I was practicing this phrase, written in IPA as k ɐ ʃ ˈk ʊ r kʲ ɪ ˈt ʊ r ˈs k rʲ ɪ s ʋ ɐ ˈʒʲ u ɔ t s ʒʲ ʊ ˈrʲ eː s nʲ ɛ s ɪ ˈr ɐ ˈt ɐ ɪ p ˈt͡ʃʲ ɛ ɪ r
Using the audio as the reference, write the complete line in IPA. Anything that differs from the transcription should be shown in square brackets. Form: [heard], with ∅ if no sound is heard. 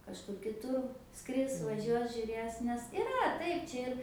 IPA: k ɐ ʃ ˈk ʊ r kʲ ɪ ˈt ʊ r ˈs k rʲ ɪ s ʋ ɐ ˈʒʲ u ɔ [∅] s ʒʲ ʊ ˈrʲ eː s nʲ ɛ s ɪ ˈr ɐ ˈt ɐ ɪ p ˈt͡ʃʲ ɛ ɪ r